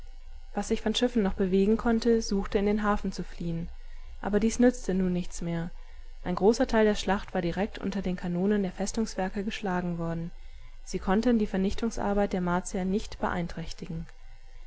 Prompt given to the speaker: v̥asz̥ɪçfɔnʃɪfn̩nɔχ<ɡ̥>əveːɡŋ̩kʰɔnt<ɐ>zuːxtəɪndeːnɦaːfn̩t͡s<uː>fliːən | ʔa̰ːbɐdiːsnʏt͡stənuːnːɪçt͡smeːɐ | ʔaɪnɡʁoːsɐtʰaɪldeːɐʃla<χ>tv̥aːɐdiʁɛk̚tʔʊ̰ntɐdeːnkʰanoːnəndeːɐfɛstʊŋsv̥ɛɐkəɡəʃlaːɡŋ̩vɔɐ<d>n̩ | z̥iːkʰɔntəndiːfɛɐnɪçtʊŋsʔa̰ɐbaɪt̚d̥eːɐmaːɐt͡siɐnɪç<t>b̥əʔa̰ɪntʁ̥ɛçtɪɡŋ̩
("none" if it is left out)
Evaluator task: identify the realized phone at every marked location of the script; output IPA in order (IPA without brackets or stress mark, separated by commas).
b̥, ə, u, χ, d, t